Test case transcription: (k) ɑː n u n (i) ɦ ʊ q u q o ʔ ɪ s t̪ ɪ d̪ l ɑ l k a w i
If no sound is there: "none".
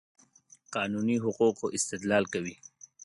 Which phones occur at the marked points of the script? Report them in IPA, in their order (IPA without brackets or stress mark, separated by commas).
q, i